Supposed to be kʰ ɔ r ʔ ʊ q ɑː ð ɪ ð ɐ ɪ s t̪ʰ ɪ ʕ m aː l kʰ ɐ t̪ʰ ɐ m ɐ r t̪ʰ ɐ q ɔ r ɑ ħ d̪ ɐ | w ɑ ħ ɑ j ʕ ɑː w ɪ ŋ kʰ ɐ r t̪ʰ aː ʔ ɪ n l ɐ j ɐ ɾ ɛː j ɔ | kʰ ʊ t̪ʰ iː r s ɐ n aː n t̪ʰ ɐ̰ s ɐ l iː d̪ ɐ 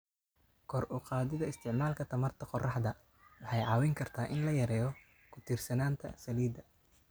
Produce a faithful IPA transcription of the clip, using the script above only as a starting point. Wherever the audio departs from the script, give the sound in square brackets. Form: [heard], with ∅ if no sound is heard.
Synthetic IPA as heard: kʰ ɔ r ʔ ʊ q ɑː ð ɪ ð ɐ ɪ s t̪ʰ ɪ ʕ m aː l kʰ ɐ t̪ʰ ɐ m ɐ r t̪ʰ ɐ q ɔ r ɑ ħ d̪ ɐ | w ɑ ħ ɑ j ʕ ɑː w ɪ ŋ kʰ ɐ r t̪ʰ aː ʔ ɪ n l ɐ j ɐ ɾ ɛː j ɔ | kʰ ʊ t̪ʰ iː r s ɐ n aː n t̪ʰ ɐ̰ s ɐ l iː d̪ ɐ